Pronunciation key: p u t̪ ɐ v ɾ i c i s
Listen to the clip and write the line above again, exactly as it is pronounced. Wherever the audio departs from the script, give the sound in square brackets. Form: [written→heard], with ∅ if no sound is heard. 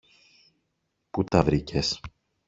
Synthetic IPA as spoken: p u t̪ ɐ v ɾ i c [i→e] s